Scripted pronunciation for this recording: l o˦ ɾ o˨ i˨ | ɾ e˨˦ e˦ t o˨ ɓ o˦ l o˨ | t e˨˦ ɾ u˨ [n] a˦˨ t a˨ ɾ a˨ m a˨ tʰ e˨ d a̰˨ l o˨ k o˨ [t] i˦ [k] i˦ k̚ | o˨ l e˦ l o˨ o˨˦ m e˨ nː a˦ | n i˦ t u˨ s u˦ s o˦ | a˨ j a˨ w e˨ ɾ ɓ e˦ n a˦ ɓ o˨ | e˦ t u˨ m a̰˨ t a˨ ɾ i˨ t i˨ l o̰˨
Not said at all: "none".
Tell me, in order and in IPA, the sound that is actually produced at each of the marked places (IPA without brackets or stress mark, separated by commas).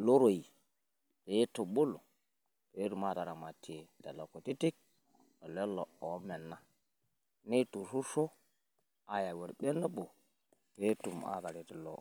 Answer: m, t, t